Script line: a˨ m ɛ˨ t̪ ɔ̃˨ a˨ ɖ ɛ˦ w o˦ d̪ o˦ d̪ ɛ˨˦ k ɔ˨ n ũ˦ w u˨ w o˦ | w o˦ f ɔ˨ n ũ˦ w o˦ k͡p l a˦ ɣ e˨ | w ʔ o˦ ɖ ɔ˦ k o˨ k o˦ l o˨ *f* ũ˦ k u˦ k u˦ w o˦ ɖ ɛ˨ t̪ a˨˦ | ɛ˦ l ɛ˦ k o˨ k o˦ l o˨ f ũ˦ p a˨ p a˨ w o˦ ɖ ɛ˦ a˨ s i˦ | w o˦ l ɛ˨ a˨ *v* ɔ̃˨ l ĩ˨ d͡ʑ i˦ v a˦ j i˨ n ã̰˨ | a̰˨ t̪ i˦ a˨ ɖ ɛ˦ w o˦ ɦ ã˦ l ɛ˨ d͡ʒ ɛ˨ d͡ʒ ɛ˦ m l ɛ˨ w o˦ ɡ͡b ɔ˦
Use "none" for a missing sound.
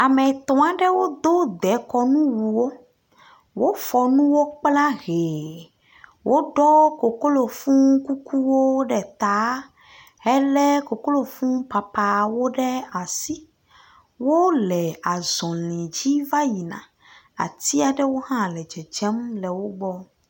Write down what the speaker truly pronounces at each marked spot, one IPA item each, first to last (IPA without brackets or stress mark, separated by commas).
f, z